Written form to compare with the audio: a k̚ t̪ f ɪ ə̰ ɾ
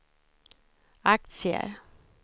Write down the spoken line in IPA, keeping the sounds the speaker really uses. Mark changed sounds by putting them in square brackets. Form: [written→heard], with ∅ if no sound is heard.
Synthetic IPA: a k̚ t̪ [f→s] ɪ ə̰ ɾ